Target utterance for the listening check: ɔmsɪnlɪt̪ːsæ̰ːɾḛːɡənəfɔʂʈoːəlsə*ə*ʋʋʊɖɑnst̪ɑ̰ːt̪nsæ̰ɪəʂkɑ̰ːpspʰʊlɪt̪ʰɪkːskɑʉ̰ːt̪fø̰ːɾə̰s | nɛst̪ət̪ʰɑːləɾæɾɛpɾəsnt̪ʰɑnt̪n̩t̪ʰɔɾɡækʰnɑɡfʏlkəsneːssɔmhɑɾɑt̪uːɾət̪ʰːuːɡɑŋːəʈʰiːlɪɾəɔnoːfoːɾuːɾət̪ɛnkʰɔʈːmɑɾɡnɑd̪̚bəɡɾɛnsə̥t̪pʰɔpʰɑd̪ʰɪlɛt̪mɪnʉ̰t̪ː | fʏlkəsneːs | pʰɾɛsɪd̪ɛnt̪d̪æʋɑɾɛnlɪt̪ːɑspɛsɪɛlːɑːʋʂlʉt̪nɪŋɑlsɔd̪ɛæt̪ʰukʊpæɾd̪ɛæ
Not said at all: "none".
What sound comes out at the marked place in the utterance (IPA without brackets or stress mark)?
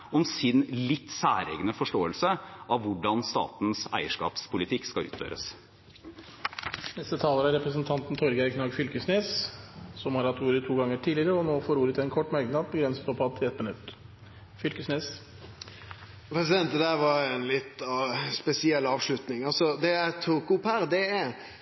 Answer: ɑ